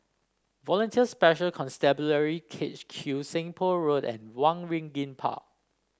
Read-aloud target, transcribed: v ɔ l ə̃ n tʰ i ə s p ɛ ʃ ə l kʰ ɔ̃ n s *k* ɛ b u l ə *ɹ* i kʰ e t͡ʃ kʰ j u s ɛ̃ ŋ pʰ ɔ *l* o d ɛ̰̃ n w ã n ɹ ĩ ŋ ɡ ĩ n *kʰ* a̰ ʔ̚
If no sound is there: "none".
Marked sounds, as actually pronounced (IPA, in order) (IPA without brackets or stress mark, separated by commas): t, ɹ, ɹ, pʰ